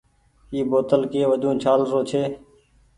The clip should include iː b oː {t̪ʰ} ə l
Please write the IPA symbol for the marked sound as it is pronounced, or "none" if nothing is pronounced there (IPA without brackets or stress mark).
t̪